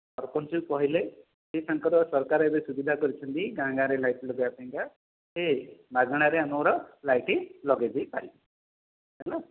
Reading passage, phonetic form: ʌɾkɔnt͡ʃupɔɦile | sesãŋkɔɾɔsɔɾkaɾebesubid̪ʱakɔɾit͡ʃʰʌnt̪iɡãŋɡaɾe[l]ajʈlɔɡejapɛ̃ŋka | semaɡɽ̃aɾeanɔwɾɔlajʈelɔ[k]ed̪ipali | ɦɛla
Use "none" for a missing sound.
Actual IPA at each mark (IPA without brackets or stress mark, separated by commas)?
l, ɡ